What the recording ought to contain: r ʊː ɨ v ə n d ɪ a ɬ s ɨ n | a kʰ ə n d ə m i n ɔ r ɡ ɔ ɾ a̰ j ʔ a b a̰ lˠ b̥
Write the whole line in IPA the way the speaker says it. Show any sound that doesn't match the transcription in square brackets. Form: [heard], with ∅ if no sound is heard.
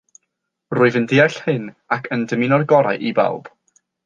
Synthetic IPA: r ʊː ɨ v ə n d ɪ a ɬ [h] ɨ n | a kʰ ə n d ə m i n ɔ r ɡ ɔ ɾ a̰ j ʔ [i] b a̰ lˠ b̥

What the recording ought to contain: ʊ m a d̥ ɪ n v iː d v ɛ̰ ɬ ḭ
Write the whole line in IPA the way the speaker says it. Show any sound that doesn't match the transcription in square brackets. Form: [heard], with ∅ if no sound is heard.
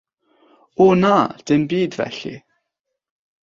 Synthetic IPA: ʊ [n] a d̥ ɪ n [b] iː d v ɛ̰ ɬ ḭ

